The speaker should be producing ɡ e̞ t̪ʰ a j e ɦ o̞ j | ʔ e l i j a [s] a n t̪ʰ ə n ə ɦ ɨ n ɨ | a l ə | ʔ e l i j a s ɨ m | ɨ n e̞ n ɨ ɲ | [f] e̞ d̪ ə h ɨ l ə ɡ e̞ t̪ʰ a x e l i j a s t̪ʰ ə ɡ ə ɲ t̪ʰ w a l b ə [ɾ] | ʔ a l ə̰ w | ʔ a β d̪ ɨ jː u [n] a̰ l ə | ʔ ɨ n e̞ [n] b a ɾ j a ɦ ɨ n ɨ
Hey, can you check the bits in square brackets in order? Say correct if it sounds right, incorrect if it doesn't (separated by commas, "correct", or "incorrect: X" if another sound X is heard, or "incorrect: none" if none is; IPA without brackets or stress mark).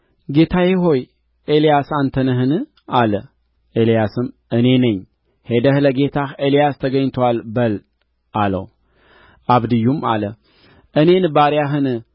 correct, incorrect: h, incorrect: l, incorrect: m, correct